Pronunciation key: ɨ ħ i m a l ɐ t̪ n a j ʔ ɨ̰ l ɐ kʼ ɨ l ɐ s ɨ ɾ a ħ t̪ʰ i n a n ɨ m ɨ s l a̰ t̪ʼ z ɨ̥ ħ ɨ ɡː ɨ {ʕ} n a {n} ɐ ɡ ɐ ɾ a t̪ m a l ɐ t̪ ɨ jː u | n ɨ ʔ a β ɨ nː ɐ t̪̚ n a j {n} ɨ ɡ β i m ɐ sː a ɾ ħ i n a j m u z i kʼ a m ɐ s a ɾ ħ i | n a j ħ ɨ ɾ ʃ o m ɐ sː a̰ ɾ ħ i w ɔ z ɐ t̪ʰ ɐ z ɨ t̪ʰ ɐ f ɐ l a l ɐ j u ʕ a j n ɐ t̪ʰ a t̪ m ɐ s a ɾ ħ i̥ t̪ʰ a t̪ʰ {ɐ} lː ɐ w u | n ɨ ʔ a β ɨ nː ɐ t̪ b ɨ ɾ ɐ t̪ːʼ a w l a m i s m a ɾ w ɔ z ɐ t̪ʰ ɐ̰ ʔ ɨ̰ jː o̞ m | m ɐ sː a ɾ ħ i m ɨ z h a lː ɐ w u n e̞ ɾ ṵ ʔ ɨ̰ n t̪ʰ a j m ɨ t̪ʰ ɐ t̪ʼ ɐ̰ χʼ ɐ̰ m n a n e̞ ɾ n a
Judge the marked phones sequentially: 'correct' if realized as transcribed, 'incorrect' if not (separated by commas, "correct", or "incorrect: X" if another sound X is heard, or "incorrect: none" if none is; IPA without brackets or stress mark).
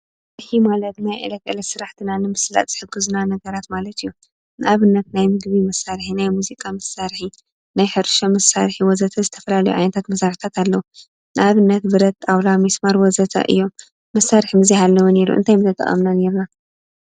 incorrect: z, correct, incorrect: m, incorrect: a